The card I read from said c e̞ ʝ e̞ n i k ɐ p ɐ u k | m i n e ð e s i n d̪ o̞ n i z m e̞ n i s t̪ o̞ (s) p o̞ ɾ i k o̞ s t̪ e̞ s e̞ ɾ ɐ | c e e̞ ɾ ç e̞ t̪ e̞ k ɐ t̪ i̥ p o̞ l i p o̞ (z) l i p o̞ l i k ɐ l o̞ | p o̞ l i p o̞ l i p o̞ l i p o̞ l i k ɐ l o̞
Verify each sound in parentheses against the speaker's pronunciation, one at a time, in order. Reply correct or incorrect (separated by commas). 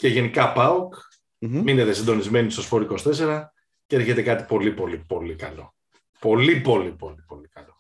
correct, incorrect